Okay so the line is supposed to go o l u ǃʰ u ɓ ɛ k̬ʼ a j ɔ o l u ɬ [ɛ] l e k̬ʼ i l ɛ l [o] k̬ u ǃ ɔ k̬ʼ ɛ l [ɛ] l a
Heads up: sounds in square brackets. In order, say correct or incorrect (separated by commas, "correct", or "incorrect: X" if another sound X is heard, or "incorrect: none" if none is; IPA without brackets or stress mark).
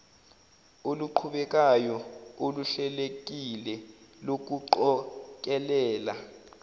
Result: correct, correct, incorrect: ɛː